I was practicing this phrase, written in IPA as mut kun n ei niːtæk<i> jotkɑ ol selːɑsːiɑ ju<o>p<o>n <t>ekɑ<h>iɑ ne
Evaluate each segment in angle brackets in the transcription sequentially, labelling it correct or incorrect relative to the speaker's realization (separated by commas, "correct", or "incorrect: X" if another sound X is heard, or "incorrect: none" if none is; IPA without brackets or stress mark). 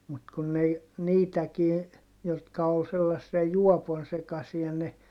incorrect: iː, incorrect: ɔ, correct, incorrect: s, incorrect: s